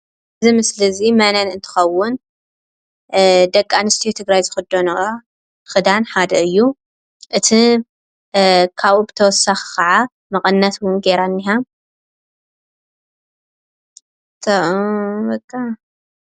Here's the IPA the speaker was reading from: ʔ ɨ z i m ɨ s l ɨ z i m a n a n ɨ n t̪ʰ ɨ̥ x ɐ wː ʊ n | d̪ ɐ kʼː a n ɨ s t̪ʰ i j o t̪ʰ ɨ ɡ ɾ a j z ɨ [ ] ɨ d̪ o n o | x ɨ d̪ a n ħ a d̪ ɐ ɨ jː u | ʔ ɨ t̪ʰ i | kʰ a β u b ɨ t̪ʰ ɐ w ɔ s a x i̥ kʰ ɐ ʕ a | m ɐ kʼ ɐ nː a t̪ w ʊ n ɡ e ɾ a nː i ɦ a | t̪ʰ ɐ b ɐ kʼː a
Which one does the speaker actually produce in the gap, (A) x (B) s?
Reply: A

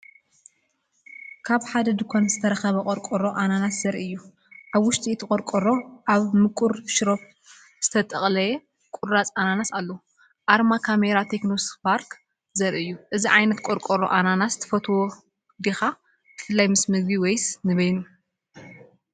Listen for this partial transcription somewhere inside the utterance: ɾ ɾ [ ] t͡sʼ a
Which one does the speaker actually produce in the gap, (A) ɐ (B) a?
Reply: B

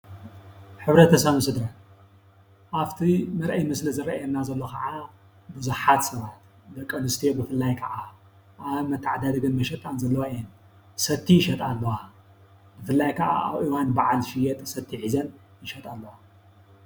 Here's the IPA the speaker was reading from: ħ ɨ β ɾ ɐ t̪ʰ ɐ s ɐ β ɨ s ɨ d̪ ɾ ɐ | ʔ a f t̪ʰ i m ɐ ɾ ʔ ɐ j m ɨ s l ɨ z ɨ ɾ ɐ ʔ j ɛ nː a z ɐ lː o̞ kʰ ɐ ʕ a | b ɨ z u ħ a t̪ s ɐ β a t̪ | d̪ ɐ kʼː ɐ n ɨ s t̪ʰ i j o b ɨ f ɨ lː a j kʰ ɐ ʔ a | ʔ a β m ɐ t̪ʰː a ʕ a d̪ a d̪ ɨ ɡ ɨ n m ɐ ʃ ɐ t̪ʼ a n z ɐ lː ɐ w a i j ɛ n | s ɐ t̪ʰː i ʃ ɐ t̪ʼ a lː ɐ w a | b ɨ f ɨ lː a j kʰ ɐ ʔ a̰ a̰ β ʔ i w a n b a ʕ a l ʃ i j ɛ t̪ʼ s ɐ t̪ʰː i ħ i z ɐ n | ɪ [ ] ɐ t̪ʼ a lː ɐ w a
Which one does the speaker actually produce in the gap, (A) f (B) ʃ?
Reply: B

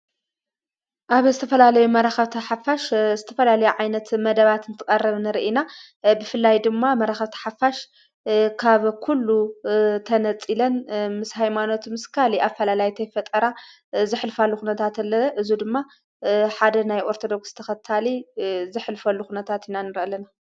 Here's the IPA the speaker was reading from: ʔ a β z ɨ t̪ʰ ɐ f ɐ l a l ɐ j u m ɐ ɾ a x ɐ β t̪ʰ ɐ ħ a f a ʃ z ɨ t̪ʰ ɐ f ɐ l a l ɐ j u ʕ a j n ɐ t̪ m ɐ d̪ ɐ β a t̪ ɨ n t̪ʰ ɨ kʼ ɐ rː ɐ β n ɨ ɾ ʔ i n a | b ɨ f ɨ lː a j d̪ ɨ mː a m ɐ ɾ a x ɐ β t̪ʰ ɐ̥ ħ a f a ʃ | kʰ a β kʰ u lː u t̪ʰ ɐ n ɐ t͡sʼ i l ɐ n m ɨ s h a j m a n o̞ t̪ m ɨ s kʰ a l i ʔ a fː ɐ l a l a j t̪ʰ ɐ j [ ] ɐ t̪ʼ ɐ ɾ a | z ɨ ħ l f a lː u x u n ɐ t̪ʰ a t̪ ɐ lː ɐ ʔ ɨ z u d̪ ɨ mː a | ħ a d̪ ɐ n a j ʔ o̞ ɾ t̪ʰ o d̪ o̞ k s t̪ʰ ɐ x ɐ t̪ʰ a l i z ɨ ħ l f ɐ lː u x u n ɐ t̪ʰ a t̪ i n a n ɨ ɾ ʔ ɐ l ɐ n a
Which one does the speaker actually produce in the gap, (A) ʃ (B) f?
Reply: B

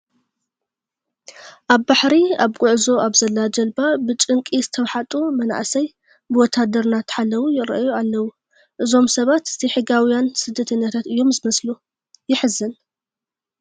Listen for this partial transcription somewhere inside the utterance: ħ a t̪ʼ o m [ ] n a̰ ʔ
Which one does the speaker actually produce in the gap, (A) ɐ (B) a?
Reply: A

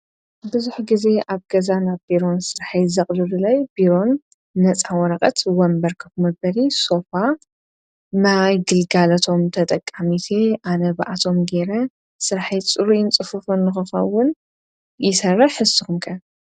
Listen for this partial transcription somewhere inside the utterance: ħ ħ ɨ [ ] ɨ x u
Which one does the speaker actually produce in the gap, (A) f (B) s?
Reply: B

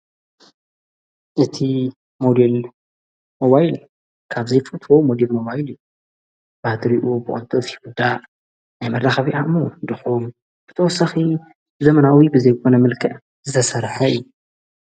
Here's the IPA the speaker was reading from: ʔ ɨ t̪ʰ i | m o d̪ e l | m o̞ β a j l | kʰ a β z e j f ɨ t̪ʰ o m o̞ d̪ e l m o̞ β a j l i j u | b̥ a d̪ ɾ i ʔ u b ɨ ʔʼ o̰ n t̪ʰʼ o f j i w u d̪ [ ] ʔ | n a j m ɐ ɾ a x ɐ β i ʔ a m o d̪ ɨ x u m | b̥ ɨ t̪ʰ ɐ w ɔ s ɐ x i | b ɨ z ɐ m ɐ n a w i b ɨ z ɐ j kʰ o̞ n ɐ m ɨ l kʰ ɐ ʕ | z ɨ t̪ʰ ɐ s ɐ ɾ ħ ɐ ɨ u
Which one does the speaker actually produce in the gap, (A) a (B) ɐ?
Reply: A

